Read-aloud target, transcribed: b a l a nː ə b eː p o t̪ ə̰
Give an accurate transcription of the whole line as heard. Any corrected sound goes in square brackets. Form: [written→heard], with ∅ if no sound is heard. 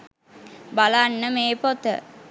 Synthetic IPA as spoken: b a l a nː ə [b→m] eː p o t̪ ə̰